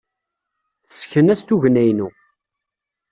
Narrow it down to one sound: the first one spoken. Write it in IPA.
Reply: θ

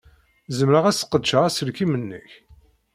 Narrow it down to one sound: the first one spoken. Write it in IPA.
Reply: z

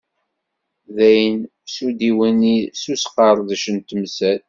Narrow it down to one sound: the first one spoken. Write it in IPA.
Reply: ð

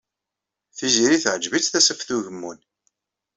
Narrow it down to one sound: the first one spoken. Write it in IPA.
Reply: θ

